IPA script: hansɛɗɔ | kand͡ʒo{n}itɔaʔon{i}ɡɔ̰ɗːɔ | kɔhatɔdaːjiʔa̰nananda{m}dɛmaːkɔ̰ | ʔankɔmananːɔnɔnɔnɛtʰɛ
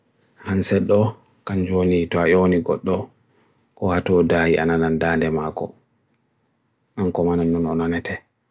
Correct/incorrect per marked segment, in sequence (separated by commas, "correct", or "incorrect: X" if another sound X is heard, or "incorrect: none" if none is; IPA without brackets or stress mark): correct, correct, incorrect: n